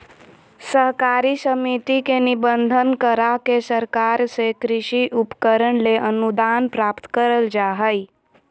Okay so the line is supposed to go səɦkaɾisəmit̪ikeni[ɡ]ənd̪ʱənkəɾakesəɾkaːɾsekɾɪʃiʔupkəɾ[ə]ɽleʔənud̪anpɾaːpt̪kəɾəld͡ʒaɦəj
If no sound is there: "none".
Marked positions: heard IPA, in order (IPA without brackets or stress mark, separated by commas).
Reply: b, ə